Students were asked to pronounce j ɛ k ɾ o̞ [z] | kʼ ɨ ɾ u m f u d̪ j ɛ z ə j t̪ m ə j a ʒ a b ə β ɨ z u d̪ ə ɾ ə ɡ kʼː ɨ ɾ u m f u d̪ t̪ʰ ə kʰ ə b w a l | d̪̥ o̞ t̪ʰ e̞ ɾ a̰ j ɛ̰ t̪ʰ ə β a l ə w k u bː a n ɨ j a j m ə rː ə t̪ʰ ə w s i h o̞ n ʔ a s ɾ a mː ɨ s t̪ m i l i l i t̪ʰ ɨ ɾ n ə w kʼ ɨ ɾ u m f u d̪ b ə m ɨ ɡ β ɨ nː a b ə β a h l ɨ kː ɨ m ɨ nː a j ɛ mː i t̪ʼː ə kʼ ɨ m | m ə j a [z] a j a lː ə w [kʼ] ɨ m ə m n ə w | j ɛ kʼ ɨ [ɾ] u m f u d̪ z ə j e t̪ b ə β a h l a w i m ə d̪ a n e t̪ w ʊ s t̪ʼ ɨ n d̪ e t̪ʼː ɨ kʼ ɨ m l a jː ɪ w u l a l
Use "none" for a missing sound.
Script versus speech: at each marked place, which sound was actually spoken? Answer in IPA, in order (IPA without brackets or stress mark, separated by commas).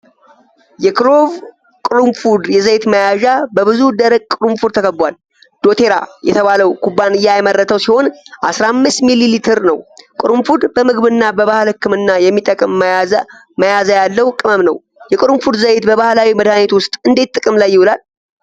v, z, kʼ, ɾ